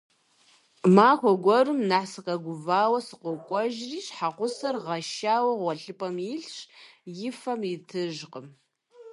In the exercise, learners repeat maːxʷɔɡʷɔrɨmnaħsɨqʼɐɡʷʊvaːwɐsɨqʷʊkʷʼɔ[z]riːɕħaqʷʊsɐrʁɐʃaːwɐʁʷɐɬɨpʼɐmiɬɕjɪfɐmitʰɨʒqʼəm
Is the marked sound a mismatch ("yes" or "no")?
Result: yes